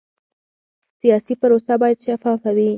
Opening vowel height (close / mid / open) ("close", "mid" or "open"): close